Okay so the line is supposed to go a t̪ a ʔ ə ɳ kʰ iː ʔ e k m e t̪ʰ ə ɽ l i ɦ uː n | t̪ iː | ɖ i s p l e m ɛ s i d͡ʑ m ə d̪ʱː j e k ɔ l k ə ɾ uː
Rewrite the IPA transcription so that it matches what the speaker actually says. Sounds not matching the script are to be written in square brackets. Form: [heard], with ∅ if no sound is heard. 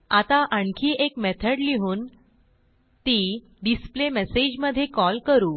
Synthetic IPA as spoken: a t̪ a ʔ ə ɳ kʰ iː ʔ e k m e t̪ʰ ə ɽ l i ɦ uː n | t̪ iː | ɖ i s p l e m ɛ s [e] d͡ʑ m ə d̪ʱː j e k ɔ l k ə ɾ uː